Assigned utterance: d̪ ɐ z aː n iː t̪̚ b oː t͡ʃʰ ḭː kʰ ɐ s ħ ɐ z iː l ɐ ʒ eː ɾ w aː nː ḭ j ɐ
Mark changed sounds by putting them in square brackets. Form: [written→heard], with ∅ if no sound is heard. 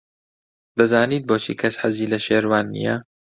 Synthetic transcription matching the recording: d̪ ɐ z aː n iː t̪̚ b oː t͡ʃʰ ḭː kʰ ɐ s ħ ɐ z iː l ɐ [ʒ→ʃ] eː ɾ w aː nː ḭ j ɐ

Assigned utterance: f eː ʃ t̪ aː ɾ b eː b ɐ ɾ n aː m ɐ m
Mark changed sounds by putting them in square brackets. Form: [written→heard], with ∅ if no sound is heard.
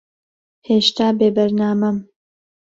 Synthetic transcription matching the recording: [f→h] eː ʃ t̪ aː [ɾ→∅] b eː b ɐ ɾ n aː m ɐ m

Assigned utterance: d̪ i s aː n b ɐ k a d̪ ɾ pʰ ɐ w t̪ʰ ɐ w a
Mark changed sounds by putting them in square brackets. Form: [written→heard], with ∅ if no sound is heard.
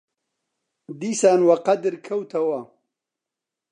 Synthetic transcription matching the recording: d̪ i s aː n [b→w] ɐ [k→q] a d̪ ɾ [pʰ→kʰ] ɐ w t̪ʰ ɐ w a

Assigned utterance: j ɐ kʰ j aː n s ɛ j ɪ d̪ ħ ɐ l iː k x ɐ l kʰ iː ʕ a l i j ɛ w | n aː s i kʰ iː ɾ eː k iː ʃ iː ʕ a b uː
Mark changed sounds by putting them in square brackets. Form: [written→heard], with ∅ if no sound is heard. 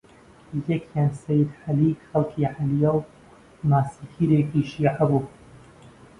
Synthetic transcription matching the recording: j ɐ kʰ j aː n s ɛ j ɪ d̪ ħ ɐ l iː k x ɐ l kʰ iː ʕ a l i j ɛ w | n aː s i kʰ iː ɾ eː k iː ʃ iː ʕ a b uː

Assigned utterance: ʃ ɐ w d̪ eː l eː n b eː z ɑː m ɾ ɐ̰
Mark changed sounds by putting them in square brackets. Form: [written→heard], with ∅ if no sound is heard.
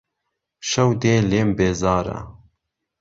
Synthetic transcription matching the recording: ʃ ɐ w d̪ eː l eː [n→m] b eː z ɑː [m→∅] ɾ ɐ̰

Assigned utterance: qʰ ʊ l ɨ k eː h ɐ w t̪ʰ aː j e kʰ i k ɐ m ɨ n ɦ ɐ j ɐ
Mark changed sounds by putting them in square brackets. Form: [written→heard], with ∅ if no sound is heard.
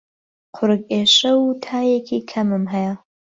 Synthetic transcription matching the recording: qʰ ʊ [l→ɾ] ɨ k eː [h→ʃ] ɐ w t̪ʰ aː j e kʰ i [k→kʰ] ɐ m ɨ [n→m] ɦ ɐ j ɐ

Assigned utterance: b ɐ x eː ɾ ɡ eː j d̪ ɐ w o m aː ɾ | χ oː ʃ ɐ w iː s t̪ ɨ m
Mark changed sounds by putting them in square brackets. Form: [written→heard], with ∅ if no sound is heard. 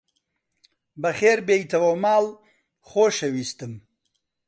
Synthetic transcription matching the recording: b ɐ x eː ɾ [ɡ→b] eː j [d̪→t̪] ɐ w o m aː [ɾ→l] | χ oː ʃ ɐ w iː s t̪ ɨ m

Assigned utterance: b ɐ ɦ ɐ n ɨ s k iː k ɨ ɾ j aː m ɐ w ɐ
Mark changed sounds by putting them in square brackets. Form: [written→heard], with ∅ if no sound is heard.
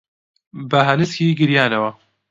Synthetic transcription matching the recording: b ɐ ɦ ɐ n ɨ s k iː [k→ɡ] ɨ ɾ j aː [m→n] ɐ w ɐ

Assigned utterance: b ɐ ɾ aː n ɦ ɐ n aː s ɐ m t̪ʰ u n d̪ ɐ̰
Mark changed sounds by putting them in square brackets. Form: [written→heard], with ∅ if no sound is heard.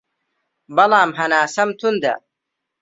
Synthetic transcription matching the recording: b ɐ [ɾ→l] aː [n→m] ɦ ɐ n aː s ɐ m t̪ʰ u n d̪ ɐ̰

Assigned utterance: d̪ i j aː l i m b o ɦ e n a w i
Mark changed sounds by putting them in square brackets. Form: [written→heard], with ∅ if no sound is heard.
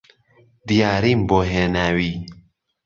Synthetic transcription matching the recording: d̪ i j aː [l→ɾ] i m b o ɦ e n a w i

